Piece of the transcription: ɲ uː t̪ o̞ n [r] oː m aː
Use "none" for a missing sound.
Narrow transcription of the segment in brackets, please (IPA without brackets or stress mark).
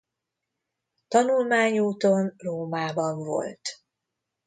r